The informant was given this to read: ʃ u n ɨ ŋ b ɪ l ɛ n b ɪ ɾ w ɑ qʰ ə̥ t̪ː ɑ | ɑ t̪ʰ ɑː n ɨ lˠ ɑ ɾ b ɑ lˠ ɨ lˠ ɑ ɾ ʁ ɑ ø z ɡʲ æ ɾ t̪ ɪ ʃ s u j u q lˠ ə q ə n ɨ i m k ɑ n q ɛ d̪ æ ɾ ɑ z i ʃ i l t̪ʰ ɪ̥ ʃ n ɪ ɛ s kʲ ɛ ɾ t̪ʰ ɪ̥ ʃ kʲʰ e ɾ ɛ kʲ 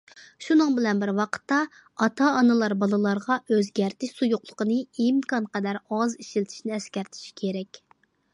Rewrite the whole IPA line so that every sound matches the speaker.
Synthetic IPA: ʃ u n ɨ ŋ b ɪ l ɛ n b ɪ ɾ w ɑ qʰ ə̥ t̪ː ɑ | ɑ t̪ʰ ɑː n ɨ lˠ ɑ ɾ b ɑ lˠ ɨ lˠ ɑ ɾ ʁ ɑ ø z ɡʲ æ ɾ t̪ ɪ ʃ s u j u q lˠ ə q ə n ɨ i m k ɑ n q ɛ d̪ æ ɾ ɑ z i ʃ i l t̪ʰ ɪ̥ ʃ n ɪ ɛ s kʲ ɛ ɾ t̪ʰ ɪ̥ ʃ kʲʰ e ɾ ɛ kʲ